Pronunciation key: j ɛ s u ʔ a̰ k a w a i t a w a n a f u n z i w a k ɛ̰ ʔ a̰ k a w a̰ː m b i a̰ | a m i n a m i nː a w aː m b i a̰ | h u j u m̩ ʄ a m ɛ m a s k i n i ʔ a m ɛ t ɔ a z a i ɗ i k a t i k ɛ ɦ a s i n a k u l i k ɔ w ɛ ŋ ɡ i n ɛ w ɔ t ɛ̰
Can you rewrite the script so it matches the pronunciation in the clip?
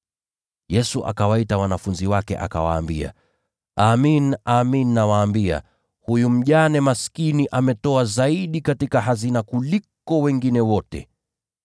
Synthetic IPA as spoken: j ɛ s u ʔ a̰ k a w a i t a w a n a f u n z i w a k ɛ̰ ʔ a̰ k a w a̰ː m b i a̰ | a m i n a m i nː a w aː m b i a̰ | h u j u m̩ ʄ a n ɛ m a s k i n i ʔ a m ɛ t ɔ a z a i ɗ i k a t i k a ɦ a z i n a k u l i k ɔ w ɛ ŋ ɡ i n ɛ w ɔ t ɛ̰